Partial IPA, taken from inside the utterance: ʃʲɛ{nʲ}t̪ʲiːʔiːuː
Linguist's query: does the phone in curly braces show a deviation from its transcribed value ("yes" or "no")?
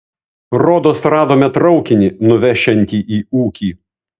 no